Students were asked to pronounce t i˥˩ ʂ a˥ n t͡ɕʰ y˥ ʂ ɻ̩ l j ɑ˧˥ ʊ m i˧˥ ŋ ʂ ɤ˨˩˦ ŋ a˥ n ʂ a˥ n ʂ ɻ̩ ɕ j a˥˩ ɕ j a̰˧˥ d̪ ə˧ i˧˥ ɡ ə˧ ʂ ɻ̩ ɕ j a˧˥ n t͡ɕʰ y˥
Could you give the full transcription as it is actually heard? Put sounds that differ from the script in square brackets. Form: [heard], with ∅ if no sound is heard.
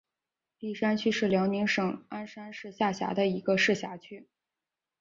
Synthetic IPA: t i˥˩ ʂ a˥ n t͡ɕʰ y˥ ʂ ɻ̩ l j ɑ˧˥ ʊ [n] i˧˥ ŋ ʂ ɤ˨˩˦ ŋ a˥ n ʂ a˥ n ʂ ɻ̩ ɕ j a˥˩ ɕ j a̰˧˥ d̪ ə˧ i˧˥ ɡ ə˧ ʂ ɻ̩ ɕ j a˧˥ [∅] t͡ɕʰ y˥